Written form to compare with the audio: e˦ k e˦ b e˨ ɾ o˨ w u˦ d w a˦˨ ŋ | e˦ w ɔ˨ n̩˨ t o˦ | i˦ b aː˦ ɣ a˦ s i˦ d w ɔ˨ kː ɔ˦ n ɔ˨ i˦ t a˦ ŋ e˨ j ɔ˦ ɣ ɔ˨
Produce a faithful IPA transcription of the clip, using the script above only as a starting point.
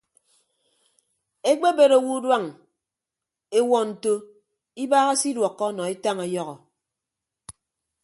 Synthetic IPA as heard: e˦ k͡p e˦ b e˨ ɾ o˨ w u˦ d w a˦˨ ŋ | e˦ w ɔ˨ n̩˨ t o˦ | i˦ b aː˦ ɣ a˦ s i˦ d w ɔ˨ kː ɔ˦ n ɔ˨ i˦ t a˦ ŋ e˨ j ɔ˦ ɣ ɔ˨